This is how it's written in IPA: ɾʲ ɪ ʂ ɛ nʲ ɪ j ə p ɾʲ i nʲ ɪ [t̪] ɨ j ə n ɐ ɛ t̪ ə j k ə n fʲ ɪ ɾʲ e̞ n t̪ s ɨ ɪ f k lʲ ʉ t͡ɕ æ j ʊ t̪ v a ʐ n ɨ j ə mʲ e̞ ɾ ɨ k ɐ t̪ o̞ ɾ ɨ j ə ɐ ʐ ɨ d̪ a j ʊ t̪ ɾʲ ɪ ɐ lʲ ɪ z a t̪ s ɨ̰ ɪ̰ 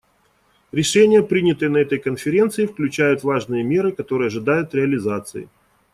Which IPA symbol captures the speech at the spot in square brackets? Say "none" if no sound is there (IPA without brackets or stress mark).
t̪